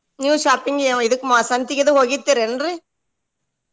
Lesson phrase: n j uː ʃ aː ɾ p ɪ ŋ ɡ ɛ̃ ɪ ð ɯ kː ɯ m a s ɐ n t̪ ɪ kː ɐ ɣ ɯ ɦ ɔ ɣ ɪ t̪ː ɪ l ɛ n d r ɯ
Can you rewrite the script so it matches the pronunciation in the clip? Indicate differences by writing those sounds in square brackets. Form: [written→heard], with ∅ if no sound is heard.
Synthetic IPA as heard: n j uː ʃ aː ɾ p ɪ ŋ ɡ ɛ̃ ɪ ð ɯ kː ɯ m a s ɐ n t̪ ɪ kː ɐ [ɣ→ð] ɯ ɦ ɔ ɣ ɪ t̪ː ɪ [l→ɾ] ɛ n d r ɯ